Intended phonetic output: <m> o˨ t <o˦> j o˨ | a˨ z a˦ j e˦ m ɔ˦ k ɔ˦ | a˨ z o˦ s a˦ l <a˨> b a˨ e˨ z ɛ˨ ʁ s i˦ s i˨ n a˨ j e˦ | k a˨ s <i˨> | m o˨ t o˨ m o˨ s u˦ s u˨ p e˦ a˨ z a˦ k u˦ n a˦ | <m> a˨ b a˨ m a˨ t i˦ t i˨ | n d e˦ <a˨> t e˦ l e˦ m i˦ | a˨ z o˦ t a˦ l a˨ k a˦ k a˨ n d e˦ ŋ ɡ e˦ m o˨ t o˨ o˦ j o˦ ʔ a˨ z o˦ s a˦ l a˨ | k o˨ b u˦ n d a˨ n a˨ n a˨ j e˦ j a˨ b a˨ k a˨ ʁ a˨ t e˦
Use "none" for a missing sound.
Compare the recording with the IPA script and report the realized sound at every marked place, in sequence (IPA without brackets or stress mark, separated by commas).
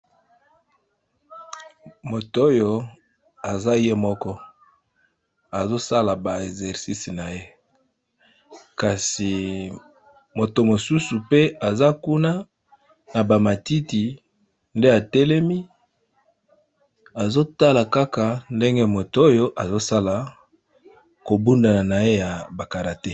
m, o˦, a˨, i˨, n, a˨